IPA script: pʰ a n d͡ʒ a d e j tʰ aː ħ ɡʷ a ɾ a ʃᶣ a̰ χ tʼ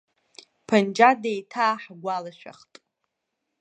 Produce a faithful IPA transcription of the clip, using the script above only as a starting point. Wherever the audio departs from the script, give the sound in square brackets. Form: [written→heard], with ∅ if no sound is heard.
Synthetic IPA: pʰ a n d͡ʒ a d e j tʰ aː ħ ɡʷ a [ɾ→l] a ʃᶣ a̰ χ tʼ